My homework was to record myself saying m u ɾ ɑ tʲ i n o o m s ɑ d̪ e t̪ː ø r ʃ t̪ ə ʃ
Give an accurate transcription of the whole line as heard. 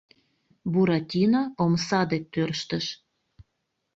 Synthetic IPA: b u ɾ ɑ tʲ i n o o m s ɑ d̪ e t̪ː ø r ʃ t̪ ə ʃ